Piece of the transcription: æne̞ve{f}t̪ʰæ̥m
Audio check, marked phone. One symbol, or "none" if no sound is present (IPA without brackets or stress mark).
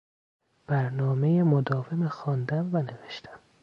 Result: ʃ